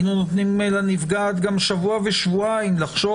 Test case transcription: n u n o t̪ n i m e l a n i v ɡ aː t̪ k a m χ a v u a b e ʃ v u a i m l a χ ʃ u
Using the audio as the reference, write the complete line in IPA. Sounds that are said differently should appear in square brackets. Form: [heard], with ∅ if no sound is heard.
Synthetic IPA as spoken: n u n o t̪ n i m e l a n i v ɡ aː t̪ [ɡ] a m [ʃ] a v u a [v] e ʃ v u a i m l a χ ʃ [o]